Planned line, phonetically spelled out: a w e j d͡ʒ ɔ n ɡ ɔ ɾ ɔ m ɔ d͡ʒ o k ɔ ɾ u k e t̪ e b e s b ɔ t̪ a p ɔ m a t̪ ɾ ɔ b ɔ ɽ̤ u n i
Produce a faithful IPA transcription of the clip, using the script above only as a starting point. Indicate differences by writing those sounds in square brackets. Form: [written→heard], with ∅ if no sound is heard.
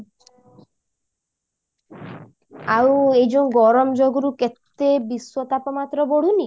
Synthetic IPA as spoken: a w e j d͡ʒ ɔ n ɡ ɔ ɾ ɔ m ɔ d͡ʒ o [k→ɡ] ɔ ɾ u k e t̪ e b [e→i] s [b→w] ɔ t̪ a p ɔ m a t̪ ɾ ɔ b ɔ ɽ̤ u n i